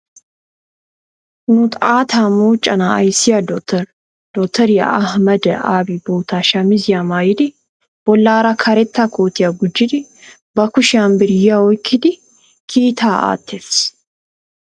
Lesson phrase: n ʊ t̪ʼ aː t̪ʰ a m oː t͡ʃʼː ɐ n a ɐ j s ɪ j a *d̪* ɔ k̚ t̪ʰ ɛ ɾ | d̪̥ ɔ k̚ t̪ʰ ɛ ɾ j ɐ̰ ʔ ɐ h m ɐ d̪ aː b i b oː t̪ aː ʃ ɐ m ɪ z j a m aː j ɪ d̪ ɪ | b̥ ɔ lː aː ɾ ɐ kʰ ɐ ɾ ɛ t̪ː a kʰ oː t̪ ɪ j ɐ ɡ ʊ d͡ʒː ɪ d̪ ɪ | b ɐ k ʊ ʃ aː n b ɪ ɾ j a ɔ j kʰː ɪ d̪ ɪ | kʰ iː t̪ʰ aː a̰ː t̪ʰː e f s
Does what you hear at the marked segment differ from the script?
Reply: no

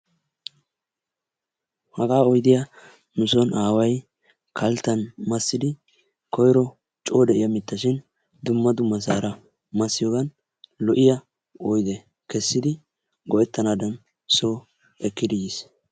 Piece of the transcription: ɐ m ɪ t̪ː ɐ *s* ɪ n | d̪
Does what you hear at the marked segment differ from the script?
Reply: yes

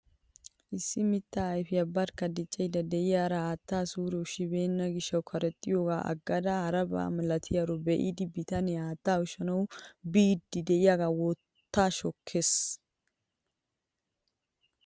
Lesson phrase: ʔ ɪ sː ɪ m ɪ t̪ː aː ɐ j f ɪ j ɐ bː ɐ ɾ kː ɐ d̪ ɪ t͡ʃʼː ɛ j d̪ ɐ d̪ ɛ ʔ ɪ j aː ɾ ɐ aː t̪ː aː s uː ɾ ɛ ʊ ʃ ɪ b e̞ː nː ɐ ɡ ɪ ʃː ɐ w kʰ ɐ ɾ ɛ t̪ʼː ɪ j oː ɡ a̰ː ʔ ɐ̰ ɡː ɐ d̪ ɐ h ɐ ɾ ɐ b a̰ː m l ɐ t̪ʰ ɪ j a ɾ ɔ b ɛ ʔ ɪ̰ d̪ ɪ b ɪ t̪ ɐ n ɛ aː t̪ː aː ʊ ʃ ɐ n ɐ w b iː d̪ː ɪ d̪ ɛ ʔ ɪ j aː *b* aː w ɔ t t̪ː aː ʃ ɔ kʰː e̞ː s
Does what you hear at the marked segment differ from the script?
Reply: yes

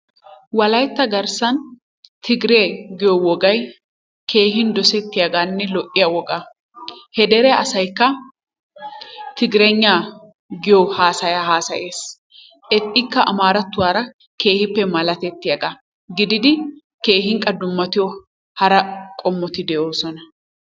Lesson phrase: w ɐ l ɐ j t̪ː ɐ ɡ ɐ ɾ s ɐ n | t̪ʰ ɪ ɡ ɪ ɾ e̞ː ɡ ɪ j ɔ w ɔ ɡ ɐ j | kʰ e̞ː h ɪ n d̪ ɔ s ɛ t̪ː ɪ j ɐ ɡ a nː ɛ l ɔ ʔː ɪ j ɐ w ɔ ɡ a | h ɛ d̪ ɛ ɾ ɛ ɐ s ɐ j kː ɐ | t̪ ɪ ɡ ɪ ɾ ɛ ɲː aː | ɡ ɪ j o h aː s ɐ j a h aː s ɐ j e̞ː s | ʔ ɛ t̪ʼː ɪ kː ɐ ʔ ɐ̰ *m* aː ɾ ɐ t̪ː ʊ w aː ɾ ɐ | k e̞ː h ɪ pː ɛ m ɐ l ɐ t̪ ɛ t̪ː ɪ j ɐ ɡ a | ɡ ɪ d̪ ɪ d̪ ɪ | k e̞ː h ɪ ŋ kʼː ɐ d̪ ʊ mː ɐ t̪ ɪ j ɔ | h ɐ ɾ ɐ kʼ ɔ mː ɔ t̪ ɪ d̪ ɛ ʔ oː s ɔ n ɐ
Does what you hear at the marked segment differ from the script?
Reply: no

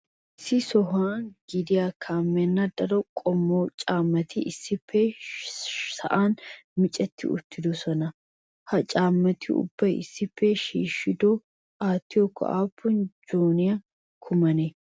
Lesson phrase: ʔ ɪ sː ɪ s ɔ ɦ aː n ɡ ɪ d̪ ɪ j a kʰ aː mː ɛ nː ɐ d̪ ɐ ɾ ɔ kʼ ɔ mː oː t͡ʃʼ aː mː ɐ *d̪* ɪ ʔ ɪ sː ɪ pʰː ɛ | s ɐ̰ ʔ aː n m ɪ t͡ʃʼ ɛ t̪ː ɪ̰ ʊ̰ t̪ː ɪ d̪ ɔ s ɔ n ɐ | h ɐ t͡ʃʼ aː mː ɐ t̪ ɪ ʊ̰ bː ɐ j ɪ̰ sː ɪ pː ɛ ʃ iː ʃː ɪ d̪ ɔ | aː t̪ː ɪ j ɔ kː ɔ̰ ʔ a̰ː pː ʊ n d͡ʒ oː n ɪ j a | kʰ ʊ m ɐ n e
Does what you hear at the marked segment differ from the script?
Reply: yes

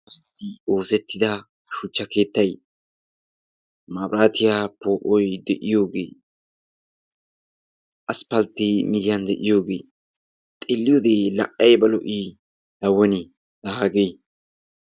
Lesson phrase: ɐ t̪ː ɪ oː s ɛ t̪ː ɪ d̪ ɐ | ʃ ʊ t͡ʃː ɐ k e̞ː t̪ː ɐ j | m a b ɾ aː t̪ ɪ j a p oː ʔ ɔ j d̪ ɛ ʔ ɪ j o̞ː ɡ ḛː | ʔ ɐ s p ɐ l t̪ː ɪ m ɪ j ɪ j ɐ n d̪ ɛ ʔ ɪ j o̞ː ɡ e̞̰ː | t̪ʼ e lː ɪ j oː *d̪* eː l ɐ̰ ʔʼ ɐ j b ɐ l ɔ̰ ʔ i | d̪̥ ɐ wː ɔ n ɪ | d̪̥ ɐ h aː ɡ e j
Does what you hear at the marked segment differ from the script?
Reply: no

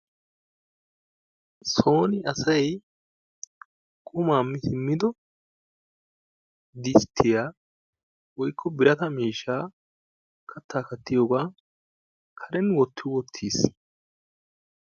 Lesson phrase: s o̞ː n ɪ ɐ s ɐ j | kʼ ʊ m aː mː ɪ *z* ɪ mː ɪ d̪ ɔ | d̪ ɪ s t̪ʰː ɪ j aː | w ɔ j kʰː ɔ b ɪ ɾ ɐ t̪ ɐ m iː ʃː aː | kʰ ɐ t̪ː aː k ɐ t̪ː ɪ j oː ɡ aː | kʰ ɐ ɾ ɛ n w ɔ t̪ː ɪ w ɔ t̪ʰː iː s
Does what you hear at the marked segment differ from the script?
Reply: yes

